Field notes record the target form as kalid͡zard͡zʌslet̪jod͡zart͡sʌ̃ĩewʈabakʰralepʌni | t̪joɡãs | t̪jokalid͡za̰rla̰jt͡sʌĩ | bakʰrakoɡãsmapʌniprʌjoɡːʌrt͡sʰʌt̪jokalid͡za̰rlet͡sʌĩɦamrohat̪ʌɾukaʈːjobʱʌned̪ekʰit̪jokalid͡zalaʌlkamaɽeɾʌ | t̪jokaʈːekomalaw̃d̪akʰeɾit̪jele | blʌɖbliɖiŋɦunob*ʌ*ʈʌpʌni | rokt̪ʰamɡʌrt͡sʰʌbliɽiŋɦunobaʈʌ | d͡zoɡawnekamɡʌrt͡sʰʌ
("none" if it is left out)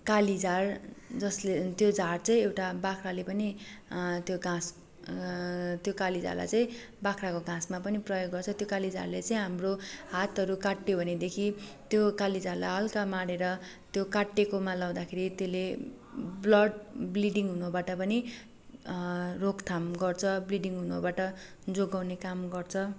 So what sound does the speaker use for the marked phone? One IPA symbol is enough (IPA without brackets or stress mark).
a